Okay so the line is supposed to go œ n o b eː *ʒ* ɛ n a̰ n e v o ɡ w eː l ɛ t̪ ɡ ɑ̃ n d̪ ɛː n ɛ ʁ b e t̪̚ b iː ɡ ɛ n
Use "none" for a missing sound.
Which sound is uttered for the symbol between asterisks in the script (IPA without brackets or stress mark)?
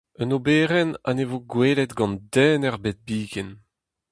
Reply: ʁ